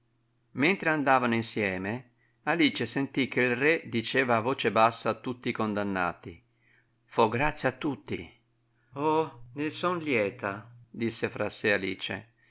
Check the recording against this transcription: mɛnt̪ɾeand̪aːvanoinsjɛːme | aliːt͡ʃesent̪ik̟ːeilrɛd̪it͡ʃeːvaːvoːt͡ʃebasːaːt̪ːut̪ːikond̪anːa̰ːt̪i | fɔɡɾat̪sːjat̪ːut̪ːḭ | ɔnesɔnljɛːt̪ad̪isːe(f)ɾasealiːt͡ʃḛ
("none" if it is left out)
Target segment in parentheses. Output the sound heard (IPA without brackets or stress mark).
f